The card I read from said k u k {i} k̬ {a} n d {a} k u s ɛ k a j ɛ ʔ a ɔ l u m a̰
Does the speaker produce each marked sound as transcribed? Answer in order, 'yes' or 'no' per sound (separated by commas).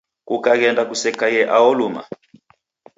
no, no, yes